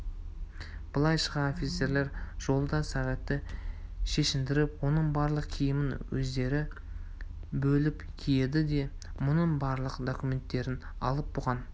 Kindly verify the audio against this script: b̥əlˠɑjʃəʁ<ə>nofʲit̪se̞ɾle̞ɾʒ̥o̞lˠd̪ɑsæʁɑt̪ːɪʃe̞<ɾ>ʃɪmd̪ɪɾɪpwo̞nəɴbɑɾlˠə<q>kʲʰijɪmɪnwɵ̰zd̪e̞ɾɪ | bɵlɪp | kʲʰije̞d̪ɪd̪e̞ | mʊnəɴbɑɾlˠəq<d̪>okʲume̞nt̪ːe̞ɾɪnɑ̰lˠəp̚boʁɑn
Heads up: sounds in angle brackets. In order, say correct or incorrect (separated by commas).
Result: incorrect, incorrect, correct, correct